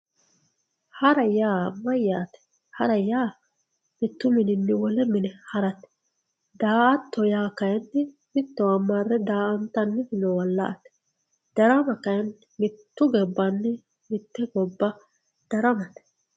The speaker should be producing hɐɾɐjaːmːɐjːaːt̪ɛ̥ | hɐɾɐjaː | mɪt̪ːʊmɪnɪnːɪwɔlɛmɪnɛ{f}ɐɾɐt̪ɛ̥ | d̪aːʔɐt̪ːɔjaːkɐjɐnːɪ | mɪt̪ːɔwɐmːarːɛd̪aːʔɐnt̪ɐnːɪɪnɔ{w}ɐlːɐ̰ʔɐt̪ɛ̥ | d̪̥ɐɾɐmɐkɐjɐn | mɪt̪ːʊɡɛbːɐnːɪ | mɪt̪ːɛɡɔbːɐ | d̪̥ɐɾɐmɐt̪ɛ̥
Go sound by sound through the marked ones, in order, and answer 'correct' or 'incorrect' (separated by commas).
incorrect, correct